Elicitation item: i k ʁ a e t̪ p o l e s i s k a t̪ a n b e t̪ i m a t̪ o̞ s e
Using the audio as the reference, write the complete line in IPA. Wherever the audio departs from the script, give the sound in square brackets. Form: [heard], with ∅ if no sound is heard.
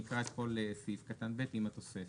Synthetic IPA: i k ʁ a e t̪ p o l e s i [f] k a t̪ a n b e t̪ i m a t̪ o̞ s e

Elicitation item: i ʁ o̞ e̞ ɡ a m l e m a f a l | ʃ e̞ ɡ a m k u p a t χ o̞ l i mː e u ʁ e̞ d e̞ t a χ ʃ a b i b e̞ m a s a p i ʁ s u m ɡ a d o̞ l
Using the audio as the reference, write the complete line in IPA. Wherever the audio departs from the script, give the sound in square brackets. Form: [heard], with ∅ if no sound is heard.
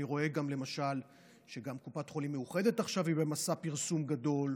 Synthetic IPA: i ʁ o̞ e̞ ɡ a m l e m a [ʃ] a l | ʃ e̞ ɡ a m k u p a t χ o̞ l i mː e u [χ] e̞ d e̞ t a χ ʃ a [v] i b e̞ m a s a p i ʁ s u m ɡ a d o̞ l

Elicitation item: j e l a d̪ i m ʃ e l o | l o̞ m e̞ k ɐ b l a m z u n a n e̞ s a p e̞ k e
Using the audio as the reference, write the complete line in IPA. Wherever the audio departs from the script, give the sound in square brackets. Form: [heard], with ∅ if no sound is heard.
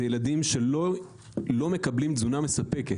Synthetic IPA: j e l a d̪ i m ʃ e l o | l o̞ m e̞ k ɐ b l [i] m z u n a [m] e̞ s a p e̞ k e

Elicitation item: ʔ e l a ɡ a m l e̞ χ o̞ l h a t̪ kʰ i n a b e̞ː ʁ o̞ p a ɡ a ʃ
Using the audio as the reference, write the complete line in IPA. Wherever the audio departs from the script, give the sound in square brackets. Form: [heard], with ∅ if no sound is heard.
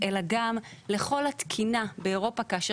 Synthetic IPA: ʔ e l a ɡ a m l e̞ χ o̞ l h a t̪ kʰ i n a b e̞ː ʁ o̞ p a [k] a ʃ

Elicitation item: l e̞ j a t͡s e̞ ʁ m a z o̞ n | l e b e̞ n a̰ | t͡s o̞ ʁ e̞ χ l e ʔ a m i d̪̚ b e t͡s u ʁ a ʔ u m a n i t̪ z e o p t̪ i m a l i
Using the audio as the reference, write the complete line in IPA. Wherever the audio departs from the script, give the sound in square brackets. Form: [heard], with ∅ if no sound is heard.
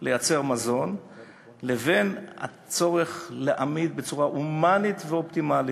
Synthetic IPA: l e̞ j a t͡s e̞ ʁ m a z o̞ n | l e [v] e̞ n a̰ | t͡s o̞ ʁ e̞ χ l e ʔ a m i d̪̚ b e t͡s u ʁ a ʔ u m a n i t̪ [v] e o p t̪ i m a l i

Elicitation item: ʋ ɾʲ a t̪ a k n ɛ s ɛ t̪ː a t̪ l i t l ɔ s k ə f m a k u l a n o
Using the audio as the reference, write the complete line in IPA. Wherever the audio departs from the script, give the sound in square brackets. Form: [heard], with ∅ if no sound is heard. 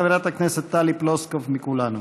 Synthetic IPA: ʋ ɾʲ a t̪ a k n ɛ s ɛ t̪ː a [∅] l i [p] l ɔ s k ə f m [i] k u l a n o

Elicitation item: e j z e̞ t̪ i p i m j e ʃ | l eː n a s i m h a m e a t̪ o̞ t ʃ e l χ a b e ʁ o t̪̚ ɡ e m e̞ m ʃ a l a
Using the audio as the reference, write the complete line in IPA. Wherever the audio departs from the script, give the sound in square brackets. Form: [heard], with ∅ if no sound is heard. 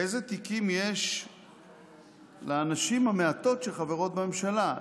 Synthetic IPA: e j z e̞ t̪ i [k] i m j e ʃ | l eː n a [ʃ] i m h a m e a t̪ o̞ t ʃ e l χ a [v] e ʁ o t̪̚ [b] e m e̞ m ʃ a l a

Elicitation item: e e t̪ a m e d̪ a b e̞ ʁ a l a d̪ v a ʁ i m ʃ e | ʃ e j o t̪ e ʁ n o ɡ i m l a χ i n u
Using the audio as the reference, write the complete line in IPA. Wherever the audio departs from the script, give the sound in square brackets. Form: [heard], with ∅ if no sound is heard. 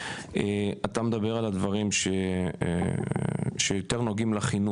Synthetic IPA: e [a] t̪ a m e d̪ a b e̞ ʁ a l a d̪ v a ʁ i m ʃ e | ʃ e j o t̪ e ʁ n o ɡ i m l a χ i n u

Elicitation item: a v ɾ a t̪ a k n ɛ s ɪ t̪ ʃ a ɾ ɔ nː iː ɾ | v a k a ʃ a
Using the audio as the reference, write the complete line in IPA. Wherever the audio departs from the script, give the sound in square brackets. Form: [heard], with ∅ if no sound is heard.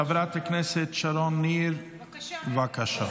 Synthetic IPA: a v ɾ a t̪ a k n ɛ s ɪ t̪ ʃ a ɾ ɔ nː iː ɾ | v a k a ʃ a

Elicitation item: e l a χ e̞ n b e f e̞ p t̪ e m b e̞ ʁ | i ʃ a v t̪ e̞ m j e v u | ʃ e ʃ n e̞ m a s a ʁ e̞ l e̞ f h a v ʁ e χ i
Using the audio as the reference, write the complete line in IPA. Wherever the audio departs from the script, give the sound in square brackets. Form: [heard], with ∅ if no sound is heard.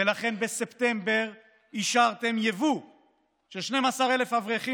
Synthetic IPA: e l a χ e̞ n b e [s] e̞ p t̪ e m b e̞ ʁ | i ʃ a [ʁ] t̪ e̞ m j e v u | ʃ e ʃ n e̞ m a s a ʁ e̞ l e̞ f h a v ʁ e χ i

